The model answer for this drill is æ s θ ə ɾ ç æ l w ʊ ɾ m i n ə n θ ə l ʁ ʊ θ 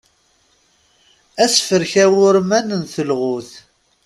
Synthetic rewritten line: æ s f ə ɾ ç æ w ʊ ɾ m æ n ə n θ ə l ʁ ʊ θ

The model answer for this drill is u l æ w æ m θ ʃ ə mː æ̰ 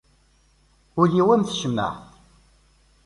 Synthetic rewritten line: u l i w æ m θ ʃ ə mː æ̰

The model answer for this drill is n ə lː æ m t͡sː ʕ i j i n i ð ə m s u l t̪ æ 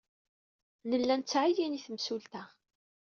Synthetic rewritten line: n ə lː æ n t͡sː ʕ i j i n i θ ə m s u l t̪ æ

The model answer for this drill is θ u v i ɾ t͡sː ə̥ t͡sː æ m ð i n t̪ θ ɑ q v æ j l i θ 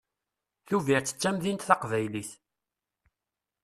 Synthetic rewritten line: θ u v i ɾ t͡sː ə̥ t͡sː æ m ð i n t̪ θ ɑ q v æ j l i θ

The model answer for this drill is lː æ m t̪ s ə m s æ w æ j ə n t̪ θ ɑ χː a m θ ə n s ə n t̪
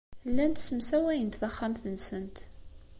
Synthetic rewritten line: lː æ n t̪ s ə m s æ w æ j ə n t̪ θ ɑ χː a m θ ə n s ə n t̪

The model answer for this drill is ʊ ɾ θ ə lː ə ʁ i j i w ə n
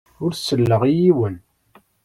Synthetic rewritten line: ʊ ɾ s ə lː ə ʁ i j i w ə n

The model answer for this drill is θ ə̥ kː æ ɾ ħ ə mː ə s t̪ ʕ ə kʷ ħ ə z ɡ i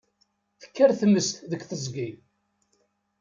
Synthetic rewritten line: θ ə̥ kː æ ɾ θ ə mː ə s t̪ ð ə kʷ θ ə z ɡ i

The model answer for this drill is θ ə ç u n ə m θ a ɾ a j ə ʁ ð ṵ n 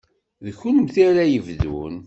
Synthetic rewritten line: ð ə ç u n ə m θ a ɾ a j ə v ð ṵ n

